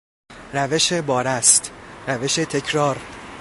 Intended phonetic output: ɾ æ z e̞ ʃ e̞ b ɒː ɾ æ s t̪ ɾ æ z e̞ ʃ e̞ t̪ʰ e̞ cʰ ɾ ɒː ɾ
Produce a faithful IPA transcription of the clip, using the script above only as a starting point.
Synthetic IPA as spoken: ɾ æ v e̞ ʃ e̞ b ɒː ɾ æ s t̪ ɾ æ v e̞ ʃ e̞ t̪ʰ e̞ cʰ ɾ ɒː ɾ